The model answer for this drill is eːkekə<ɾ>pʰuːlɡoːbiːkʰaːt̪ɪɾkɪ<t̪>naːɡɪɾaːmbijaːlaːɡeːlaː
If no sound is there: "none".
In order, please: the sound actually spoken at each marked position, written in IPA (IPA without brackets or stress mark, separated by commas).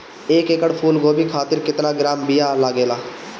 ɽ, t̪